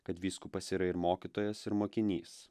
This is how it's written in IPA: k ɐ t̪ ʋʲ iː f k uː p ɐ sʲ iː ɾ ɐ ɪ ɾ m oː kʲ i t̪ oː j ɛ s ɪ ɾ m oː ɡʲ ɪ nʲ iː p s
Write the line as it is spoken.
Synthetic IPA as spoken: k ɐ t̪ ʋʲ iː s k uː p ɐ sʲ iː ɾ ɐ ɪ ɾ m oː kʲ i t̪ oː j ɛ s ɪ ɾ m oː kʲ ɪ nʲ iː s

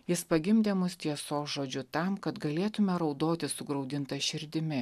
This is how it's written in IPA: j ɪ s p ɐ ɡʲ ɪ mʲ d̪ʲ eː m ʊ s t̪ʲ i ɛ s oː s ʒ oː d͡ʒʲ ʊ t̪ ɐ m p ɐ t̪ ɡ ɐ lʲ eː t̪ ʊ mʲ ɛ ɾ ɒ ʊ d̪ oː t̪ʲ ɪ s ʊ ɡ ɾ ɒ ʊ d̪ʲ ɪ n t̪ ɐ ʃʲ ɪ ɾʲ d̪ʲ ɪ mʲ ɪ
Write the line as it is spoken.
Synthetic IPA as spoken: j ɪ s p ɐ ɡʲ ɪ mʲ d̪ʲ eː m ʊ s t̪ʲ i ɛ s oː s ʒ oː d͡ʒʲ ʊ t̪ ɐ m k ɐ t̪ ɡ ɐ lʲ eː t̪ ʊ mʲ ɛ ɾ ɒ ʊ d̪ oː t̪ʲ ɪ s ʊ ɡ ɾ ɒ ʊ d̪ʲ ɪ n t̪ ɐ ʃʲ ɪ ɾʲ d̪ʲ ɪ mʲ ɪ

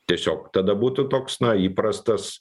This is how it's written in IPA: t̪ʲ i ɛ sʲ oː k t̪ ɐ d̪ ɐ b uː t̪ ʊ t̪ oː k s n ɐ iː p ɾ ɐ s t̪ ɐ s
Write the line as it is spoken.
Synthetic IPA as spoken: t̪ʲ i ɛ sʲ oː k t̪ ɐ d̪ ɐ b uː t̪ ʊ t̪ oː k s n ɐ iː p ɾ ɐ s t̪ ɐ s

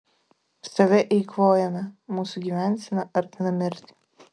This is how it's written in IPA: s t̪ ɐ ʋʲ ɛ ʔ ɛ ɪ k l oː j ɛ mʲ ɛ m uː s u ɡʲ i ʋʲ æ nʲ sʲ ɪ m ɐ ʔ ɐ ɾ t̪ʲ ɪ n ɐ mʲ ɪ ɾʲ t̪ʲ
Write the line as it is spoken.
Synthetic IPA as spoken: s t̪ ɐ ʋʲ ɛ ʔ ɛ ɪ k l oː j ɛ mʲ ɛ m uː s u ɡʲ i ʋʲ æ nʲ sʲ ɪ n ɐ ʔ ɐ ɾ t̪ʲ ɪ n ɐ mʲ ɪ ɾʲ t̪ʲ

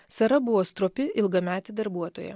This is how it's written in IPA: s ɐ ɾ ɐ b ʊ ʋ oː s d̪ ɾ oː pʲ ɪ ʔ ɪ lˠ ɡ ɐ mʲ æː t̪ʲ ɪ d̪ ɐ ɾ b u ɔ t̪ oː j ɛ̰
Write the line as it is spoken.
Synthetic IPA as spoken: s ɐ ɾ ɐ b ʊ ʋ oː s t̪ ɾ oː pʲ ɪ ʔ ɪ lˠ ɡ ɐ mʲ æː t̪ʲ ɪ d̪ ɐ ɾ b u ɔ t̪ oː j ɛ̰

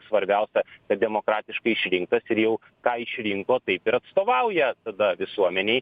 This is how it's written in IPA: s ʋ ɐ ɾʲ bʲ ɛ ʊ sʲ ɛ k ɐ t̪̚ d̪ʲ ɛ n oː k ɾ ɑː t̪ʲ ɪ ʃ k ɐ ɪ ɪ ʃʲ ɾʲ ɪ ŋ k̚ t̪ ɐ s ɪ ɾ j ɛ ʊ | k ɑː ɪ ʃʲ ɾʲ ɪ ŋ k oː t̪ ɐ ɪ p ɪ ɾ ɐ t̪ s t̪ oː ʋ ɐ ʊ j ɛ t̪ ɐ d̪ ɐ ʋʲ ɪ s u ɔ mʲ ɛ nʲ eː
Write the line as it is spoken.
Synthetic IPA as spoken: s ʋ ɐ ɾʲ bʲ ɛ ʊ sʲ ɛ k ɐ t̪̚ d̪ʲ ɛ m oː k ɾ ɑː t̪ʲ ɪ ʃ k ɐ ɪ ɪ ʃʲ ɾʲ ɪ ŋ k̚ t̪ ɐ s ɪ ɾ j ɛ ʊ | k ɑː ɪ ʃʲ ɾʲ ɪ ŋ k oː t̪ ɐ ɪ p ɪ ɾ ɐ t̪ s t̪ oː ʋ ɐ ʊ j ɛ t̪ ɐ d̪ ɐ ʋʲ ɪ s u ɔ mʲ ɛ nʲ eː

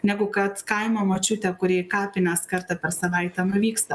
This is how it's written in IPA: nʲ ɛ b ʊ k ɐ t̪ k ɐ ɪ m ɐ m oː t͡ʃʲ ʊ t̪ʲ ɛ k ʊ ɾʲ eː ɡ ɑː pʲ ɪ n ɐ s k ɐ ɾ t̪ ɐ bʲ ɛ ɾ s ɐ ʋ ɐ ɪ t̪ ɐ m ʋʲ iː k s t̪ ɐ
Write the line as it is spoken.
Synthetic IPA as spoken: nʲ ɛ ɡ ʊ k ɐ t̪ k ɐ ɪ m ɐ m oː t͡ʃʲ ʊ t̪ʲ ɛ k ʊ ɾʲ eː k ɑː pʲ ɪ n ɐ s k ɐ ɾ t̪ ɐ pʲ ɛ ɾ s ɐ ʋ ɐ ɪ t̪ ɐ m ʋʲ iː k s t̪ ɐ

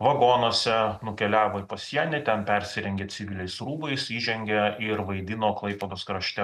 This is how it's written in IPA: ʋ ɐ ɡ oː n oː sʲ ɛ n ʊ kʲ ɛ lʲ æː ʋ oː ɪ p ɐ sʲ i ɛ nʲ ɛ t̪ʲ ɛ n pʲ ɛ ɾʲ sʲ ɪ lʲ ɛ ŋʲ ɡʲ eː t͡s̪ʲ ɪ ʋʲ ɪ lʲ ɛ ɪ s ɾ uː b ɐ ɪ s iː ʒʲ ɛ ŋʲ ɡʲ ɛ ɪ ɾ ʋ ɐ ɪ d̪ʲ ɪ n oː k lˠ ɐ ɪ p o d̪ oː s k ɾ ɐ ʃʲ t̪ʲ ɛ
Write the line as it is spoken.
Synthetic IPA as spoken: ʋ ɐ ɡ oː n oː sʲ ɛ n ʊ kʲ ɛ lʲ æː ʋ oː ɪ p ɐ sʲ i ɛ nʲ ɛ t̪ʲ ɛ n pʲ ɛ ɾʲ sʲ ɪ ɾʲ ɛ ŋʲ ɡʲ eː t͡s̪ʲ ɪ ʋʲ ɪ lʲ ɛ ɪ s ɾ uː b ɐ ɪ s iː ʒʲ ɛ ŋʲ ɡʲ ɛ ɪ ɾ ʋ ɐ ɪ d̪ʲ ɪ n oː k lˠ ɐ ɪ p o d̪ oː s k ɾ ɐ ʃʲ t̪ʲ ɛ

